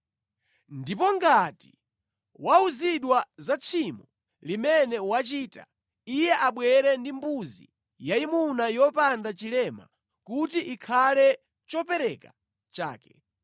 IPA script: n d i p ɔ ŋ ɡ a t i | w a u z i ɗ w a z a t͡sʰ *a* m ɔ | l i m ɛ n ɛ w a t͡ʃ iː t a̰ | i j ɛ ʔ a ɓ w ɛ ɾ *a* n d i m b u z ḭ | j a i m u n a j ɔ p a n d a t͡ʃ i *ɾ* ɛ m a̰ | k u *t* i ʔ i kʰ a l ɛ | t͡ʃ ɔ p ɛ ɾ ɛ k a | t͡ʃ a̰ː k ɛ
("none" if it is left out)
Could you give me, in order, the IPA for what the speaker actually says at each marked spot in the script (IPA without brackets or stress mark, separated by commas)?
i, ɛ, l, t